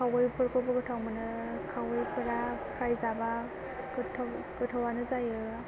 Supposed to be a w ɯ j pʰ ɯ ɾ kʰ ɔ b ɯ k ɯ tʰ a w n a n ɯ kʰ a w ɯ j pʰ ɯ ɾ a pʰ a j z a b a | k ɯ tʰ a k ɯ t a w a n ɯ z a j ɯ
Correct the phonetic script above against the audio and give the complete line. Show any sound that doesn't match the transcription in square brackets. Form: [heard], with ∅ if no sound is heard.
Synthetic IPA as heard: a w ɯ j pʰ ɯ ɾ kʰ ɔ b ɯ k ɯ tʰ a w [m] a n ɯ kʰ a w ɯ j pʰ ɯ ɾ a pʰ a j z a b a | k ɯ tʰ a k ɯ [tʰ] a w a n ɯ z a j ɯ